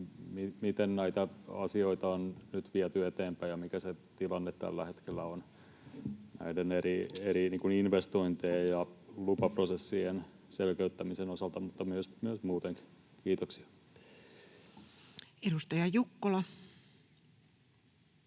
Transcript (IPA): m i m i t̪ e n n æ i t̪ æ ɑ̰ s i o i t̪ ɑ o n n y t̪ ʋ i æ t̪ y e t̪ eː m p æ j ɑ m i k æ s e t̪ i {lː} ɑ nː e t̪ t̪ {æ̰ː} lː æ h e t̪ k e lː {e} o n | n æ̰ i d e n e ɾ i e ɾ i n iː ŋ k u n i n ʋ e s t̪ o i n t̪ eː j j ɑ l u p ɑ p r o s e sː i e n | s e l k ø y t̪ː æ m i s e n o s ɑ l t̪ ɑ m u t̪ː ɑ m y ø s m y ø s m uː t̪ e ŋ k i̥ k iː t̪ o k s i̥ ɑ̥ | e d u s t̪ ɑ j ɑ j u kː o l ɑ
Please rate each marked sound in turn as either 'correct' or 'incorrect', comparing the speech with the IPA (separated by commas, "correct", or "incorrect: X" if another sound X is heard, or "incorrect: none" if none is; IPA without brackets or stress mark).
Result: incorrect: l, incorrect: æ̰, incorrect: æ